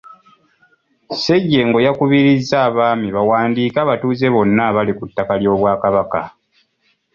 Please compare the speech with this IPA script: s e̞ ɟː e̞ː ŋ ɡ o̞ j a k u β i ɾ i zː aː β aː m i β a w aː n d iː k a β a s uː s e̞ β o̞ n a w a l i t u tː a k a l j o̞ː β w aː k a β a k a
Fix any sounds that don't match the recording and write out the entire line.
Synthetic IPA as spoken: s e̞ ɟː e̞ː ŋ ɡ o̞ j a k u β i ɾ i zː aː β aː m i β a w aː n d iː k a β a t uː z e̞ β o̞ nː a β a l i k u tː a k a l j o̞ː β w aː k a β a k a